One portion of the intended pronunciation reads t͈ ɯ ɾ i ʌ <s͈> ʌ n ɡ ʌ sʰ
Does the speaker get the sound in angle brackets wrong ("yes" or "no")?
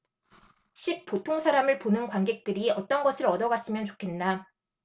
yes